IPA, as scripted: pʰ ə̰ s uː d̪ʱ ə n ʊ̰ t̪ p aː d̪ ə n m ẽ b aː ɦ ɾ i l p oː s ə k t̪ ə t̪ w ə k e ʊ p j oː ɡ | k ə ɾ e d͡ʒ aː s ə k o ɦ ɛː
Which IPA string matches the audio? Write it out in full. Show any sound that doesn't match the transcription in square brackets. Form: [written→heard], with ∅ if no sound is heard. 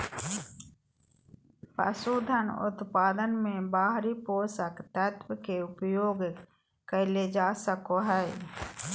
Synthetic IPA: [pʰ→p] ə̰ s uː d̪ʱ ə n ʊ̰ t̪ p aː d̪ ə n m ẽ b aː ɦ ɾ i [l→∅] p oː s ə k t̪ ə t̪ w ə k e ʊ p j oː ɡ | k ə [ɾ→l] e d͡ʒ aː s ə k o ɦ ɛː